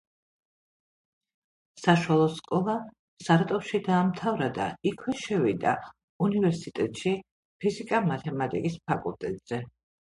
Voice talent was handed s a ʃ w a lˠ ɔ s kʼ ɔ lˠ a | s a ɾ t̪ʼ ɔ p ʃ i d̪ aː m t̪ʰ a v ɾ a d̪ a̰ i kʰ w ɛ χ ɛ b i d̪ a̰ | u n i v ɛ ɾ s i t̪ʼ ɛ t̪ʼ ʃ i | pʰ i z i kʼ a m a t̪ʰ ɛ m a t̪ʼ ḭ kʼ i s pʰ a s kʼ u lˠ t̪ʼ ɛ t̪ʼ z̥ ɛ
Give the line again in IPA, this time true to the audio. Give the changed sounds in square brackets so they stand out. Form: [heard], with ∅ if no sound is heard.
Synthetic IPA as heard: s a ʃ w a lˠ ɔ s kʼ ɔ lˠ a | s a ɾ t̪ʼ ɔ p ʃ i d̪ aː m t̪ʰ a v ɾ a d̪ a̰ i kʰ w ɛ [ʃ] ɛ [v] i d̪ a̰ | u n i v ɛ ɾ s i t̪ʼ ɛ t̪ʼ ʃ i | pʰ i z i kʼ a m a t̪ʰ ɛ m a t̪ʼ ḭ kʼ i s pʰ a [∅] kʼ u lˠ t̪ʼ ɛ t̪ʼ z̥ ɛ